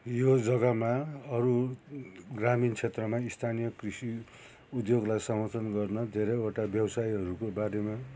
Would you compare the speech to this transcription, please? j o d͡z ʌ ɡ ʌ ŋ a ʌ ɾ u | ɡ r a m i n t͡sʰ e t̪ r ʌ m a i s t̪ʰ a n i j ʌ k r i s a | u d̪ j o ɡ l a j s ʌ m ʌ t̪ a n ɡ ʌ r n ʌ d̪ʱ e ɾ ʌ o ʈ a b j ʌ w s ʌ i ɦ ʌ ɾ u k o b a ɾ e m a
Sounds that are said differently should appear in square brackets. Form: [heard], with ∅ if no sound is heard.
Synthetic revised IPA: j o d͡z ʌ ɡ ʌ [m] a ʌ ɾ u | ɡ r a m i n t͡sʰ e t̪ r ʌ m a i s t̪ʰ a n i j ʌ k r i s [i] | u d̪ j o ɡ l a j s ʌ m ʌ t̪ [ʌ] n ɡ ʌ r n ʌ d̪ʱ e ɾ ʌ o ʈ a b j ʌ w s [a] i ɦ ʌ ɾ u k o b a ɾ e m a

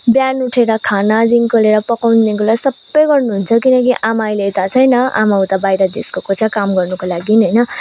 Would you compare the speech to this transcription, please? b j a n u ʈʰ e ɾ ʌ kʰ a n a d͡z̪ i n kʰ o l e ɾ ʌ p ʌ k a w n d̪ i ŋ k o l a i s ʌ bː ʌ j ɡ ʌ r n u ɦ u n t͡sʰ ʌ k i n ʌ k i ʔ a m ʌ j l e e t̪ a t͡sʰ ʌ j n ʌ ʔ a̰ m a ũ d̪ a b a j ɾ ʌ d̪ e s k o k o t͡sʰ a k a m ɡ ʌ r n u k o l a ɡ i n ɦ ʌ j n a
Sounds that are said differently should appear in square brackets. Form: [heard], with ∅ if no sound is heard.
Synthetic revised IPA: b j a n u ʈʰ e ɾ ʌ kʰ a n a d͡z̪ i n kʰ o l e ɾ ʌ p ʌ k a w n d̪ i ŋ k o l a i s ʌ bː ʌ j ɡ ʌ r n u ɦ u n t͡sʰ ʌ k i n ʌ k i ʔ a m [a] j l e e t̪ a t͡sʰ ʌ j n ʌ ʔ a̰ m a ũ [t̪] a b a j ɾ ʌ d̪ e s k o k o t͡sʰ a k a m ɡ ʌ r n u k o l a ɡ i n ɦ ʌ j n [ʌ]

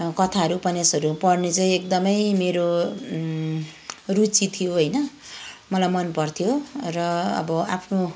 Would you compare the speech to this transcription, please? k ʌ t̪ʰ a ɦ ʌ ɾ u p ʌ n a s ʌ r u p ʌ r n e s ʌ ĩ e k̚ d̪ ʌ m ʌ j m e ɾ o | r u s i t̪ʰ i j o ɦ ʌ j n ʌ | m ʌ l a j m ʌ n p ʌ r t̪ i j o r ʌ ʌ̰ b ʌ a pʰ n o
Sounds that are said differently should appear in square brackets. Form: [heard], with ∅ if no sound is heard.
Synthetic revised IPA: k ʌ t̪ʰ a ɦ ʌ ɾ u p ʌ n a s ʌ [ɾ] u p ʌ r n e [t͡s] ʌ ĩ e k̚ d̪ ʌ m ʌ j m e ɾ o | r u [t͡s] i t̪ʰ i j o ɦ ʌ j n ʌ | m ʌ l a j m ʌ n p ʌ r [t̪ʰ] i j o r ʌ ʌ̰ b ʌ a pʰ n o

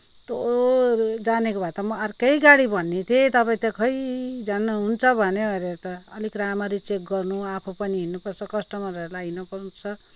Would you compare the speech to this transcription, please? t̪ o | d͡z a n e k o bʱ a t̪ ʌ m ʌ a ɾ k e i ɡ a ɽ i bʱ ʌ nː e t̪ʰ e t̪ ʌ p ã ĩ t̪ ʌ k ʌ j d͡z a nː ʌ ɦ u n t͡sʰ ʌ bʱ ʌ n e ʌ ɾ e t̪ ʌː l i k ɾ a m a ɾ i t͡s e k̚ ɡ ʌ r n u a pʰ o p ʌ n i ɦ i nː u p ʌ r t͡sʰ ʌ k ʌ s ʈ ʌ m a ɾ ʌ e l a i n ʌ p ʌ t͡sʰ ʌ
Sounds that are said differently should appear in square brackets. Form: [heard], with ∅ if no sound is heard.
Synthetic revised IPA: t̪ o | d͡z a n e k o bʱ a t̪ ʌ m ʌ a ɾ k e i ɡ a ɽ i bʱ ʌ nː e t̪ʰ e t̪ ʌ p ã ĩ t̪ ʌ k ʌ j d͡z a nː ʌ ɦ u n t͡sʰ ʌ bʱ ʌ n e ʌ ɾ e t̪ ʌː l i k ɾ a m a ɾ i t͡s e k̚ ɡ ʌ r n u a pʰ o p ʌ n i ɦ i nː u p ʌ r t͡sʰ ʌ k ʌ s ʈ ʌ m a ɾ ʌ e l a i n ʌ p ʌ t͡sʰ ʌ

